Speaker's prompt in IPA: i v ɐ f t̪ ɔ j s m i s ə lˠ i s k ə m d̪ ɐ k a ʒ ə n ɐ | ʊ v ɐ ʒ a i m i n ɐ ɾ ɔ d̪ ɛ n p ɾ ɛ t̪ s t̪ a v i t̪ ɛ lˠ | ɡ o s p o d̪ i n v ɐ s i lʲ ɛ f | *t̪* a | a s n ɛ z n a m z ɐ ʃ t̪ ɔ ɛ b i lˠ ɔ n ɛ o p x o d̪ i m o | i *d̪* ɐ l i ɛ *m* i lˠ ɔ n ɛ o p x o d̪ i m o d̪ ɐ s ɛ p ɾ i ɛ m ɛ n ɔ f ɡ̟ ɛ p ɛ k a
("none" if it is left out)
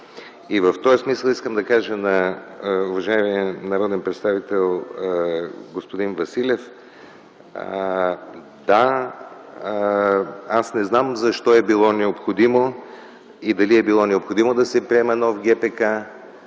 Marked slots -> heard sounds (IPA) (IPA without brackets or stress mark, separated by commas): d̪, d̪, b